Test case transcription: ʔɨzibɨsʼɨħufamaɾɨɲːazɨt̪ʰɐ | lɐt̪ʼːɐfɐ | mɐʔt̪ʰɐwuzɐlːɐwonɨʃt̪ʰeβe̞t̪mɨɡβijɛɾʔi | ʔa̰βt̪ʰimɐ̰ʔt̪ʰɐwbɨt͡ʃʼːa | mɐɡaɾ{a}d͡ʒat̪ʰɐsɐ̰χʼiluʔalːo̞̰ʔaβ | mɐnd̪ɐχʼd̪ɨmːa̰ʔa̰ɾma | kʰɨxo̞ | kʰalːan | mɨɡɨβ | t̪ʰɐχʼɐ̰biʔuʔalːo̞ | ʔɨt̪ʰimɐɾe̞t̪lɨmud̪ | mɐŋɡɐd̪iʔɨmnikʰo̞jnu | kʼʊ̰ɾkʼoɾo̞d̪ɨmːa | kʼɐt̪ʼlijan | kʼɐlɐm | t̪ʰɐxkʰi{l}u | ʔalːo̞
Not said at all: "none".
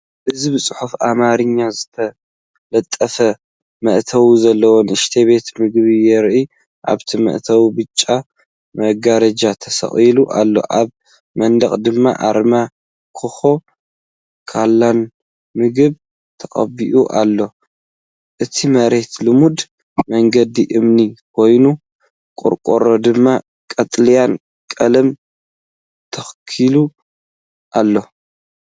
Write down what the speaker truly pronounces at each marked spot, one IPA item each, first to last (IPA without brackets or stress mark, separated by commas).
ɐ, l